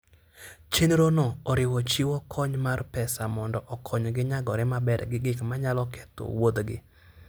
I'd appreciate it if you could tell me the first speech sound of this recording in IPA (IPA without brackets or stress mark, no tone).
t͡ʃ